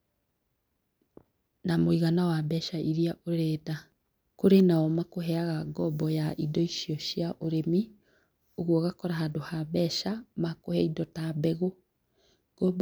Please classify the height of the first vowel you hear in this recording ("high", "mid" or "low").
low